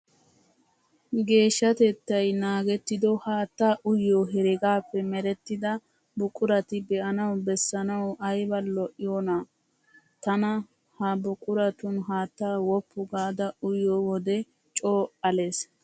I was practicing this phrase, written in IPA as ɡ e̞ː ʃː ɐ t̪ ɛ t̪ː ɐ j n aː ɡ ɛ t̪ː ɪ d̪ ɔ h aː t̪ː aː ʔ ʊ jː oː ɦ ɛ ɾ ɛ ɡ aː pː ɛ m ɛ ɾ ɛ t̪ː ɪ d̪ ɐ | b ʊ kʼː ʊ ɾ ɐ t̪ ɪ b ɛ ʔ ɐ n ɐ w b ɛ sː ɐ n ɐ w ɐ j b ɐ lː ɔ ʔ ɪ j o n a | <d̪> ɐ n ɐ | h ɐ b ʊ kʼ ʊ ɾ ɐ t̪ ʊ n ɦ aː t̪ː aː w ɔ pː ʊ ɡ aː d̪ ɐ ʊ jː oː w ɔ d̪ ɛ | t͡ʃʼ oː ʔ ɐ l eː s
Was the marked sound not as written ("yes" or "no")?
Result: yes